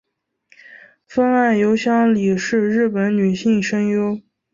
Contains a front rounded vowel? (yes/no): yes